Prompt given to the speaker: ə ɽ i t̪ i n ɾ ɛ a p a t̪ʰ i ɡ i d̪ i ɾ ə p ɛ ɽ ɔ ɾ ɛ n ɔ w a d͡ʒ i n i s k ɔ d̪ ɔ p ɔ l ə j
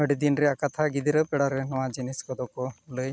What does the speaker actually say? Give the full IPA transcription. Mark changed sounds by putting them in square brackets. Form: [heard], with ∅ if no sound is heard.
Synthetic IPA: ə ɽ i [d̪] i n ɾ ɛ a [k] a t̪ʰ [a] ɡ i d̪ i ɾ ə p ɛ ɽ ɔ ɾ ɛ n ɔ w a d͡ʒ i n i s k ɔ d̪ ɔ [k] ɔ l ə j

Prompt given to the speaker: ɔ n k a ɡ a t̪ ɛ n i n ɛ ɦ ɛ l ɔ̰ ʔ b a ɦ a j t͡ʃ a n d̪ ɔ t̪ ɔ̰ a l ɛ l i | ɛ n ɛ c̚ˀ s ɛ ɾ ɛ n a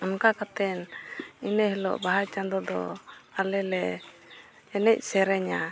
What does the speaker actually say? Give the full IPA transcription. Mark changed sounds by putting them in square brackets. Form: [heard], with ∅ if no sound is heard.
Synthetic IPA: ɔ n k a [k] a t̪ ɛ n i n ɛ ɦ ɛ l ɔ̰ ʔ b a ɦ a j t͡ʃ a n d̪ ɔ [d̪] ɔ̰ a l ɛ l [ɛ] | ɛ n ɛ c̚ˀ s ɛ ɾ ɛ [ɲ] a

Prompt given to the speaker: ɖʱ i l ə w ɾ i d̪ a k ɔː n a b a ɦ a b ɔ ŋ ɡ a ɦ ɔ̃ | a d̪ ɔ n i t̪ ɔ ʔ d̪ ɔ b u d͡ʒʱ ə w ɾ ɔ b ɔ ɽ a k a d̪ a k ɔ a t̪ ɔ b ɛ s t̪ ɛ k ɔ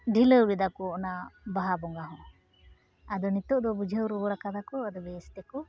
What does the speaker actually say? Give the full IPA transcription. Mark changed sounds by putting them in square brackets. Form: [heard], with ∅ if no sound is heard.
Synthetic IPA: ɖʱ i l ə w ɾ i d̪ a k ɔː n a b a ɦ a b ɔ ŋ ɡ a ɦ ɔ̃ | a d̪ ɔ n i t̪ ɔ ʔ d̪ ɔ b u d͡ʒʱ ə w ɾ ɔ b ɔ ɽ a k a d̪ a k ɔ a [d̪] ɔ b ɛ s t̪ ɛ k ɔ

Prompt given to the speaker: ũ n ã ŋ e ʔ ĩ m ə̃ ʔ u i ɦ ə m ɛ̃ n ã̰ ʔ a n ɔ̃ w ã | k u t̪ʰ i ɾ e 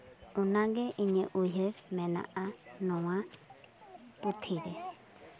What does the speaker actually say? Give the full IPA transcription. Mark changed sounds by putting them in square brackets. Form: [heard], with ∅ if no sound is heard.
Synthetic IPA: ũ n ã [ɡ] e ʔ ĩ [ɲ] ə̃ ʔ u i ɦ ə m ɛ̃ n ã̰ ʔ a n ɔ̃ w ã | [p] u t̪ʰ i ɾ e

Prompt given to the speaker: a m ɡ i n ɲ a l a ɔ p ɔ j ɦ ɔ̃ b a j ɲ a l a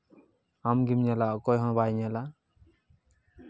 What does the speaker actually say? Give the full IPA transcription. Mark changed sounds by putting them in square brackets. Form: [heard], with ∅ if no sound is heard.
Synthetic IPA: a m ɡ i [m] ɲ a l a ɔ [k] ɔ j ɦ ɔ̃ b a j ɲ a l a

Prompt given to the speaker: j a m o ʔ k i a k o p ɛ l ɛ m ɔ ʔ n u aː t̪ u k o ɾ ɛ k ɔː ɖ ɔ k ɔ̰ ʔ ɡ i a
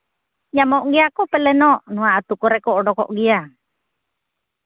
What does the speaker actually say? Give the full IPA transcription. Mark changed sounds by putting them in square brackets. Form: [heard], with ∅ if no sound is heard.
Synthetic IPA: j a m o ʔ [ɡ] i a k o p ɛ l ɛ [n] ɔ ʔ n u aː t̪ u k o ɾ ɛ k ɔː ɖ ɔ k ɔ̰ ʔ ɡ i a

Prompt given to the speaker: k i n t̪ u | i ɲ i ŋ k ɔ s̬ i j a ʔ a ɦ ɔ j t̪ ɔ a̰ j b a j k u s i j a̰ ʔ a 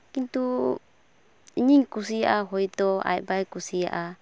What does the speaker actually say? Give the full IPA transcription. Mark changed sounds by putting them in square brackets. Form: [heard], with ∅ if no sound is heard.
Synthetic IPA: k i n t̪ u | i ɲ i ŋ k [u] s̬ i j a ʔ a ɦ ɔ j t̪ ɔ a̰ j b a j k u s i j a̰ ʔ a

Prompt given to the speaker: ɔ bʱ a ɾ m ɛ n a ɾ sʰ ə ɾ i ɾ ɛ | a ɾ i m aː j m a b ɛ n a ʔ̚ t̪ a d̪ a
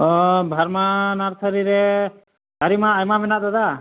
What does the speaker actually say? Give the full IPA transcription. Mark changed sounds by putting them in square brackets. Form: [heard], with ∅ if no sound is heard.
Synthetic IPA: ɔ bʱ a ɾ m [a] n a ɾ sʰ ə ɾ i ɾ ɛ | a ɾ i m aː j m a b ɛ n a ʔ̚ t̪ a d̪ a

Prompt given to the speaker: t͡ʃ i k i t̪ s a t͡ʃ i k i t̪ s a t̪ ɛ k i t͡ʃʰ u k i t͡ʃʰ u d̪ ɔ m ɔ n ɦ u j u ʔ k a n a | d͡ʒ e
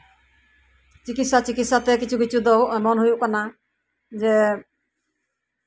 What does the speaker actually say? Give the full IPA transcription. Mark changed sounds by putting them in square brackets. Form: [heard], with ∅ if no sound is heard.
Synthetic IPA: t͡ʃ i k i t̪ s a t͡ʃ i k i t̪ s a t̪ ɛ k i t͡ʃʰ u k i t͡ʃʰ u d̪ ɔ m ɔ n ɦ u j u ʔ k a n a | d͡ʒ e

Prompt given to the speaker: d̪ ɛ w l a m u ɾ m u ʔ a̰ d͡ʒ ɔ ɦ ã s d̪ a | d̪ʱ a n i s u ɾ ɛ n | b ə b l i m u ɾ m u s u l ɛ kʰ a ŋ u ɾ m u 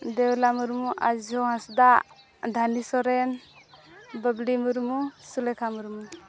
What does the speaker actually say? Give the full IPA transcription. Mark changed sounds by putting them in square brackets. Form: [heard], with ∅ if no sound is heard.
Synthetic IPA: d̪ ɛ w l a m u ɾ m u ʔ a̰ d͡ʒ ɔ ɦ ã s d̪ a | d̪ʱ a n i s [ɔ] ɾ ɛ n | b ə b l i m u ɾ m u s u l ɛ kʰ a [m] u ɾ m u

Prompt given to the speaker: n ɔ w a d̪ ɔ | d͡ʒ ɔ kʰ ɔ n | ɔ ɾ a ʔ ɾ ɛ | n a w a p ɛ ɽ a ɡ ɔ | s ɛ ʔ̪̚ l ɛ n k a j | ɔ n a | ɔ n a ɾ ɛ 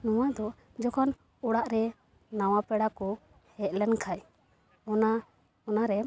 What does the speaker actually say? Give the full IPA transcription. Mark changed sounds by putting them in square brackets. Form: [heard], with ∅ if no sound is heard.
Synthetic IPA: n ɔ w a d̪ ɔ | d͡ʒ ɔ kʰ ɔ n | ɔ [ɽ] a ʔ ɾ ɛ | n a w a p ɛ ɽ a [k] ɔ | [h] ɛ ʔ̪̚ l ɛ n [kʰ] a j | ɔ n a | ɔ n a ɾ ɛ

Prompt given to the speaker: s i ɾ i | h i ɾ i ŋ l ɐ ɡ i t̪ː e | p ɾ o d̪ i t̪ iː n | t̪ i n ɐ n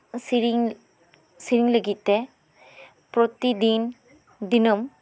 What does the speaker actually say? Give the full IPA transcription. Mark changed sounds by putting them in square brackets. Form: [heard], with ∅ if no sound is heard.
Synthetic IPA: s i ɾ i | [s] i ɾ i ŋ l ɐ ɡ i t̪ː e | p ɾ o [t̪] i [d̪] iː n | [d̪] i n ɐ [m]

